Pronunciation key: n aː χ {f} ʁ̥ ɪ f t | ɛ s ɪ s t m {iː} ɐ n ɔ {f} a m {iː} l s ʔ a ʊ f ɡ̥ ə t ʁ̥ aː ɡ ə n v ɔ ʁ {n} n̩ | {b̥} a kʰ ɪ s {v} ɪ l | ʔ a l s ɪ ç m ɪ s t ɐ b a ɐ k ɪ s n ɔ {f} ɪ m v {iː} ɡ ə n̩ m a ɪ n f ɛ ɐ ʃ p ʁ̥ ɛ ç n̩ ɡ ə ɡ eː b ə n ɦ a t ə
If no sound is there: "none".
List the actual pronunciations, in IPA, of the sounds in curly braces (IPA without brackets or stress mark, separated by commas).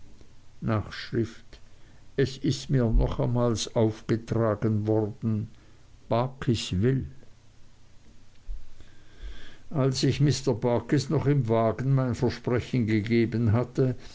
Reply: ʃ, iː, χ, aː, d, b̥, v, χ, aː